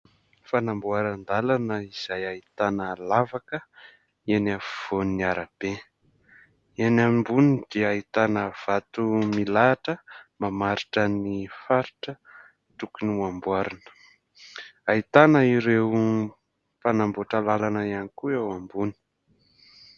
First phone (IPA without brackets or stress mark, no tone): f